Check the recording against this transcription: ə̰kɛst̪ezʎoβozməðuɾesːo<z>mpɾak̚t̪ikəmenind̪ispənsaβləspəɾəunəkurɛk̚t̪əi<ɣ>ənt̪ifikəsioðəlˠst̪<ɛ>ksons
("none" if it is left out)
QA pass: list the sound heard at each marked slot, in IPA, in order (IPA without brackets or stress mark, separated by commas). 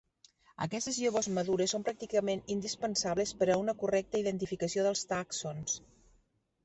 none, ð, a